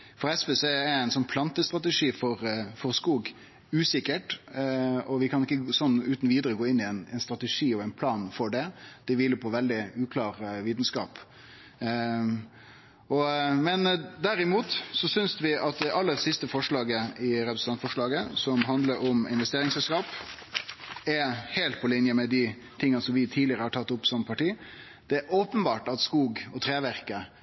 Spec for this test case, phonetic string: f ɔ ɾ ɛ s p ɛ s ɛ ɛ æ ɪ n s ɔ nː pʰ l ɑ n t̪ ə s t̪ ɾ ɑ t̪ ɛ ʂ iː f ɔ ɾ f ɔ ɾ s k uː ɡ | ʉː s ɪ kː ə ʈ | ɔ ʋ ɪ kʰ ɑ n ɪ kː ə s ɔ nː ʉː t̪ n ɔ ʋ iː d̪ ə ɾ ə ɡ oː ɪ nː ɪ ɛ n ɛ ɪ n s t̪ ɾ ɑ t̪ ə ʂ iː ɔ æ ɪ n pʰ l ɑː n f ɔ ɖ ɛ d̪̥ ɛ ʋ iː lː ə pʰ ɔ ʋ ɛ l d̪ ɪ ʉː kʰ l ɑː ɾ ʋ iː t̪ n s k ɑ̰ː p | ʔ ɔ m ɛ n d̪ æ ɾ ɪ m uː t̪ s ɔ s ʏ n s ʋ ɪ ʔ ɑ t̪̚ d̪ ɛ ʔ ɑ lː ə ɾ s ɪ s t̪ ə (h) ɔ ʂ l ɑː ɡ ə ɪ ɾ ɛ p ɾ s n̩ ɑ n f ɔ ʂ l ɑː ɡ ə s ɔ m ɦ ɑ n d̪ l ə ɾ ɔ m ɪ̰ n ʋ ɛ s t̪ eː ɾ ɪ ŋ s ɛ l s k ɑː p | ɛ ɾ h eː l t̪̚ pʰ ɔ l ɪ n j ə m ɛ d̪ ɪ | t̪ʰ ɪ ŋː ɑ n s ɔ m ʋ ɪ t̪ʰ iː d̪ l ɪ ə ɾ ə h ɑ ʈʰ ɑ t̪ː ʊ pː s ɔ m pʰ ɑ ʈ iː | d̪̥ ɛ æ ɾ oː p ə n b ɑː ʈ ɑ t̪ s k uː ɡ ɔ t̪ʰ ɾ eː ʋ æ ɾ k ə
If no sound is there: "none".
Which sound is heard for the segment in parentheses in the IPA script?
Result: f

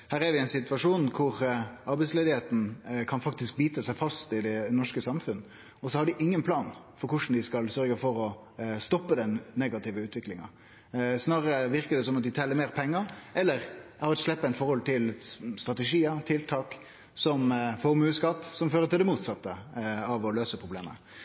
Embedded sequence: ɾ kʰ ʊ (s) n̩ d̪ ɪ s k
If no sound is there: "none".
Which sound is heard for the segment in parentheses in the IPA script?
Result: ʂ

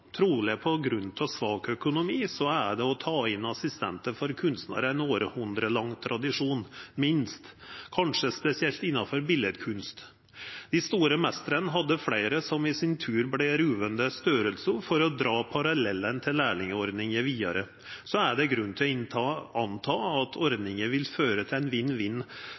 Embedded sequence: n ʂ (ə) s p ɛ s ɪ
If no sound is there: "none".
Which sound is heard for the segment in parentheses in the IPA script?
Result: ə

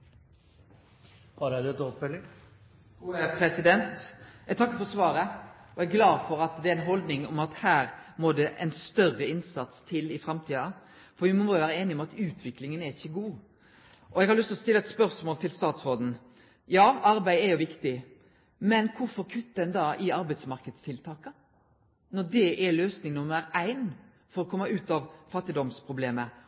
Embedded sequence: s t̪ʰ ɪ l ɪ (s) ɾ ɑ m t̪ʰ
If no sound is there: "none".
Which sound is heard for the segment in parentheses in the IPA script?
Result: f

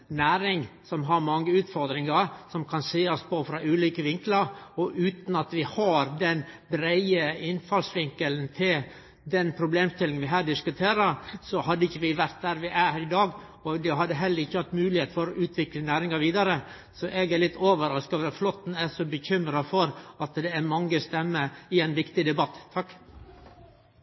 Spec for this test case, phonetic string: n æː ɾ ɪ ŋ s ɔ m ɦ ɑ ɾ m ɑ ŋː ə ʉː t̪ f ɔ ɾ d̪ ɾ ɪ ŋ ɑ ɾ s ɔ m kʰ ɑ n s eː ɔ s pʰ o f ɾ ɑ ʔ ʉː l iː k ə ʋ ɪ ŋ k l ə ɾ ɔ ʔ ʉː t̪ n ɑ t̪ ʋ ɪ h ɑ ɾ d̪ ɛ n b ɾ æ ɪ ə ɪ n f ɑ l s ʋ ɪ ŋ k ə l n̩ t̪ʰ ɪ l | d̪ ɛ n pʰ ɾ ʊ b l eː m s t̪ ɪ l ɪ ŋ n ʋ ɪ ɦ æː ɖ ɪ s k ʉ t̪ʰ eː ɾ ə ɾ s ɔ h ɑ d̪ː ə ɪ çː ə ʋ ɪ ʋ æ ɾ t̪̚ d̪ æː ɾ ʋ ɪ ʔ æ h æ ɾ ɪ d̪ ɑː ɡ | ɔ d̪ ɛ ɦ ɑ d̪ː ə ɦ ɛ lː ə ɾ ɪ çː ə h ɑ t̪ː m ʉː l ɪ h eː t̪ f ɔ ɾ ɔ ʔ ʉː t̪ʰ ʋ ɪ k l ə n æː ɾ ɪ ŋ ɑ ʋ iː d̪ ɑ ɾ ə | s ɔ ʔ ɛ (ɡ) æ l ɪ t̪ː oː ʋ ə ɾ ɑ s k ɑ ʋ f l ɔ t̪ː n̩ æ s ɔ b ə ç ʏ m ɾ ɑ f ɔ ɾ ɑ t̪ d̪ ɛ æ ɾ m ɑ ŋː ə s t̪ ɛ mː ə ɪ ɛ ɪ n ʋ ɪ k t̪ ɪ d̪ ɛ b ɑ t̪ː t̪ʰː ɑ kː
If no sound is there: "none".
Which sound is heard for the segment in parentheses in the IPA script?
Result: ɡ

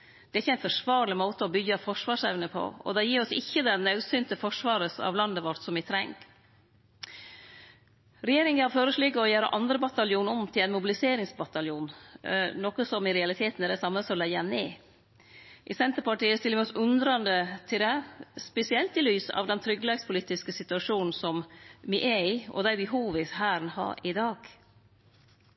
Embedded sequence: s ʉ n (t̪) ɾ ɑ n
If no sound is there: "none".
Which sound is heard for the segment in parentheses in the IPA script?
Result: d̪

